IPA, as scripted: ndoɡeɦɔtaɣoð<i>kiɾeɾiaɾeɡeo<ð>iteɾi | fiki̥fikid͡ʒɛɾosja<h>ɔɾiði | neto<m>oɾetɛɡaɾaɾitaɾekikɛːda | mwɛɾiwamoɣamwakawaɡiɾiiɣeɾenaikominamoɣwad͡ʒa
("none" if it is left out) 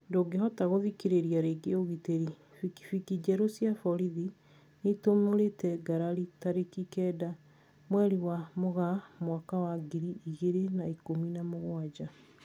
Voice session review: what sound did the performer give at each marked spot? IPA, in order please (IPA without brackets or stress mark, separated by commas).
i, ɣ, f, m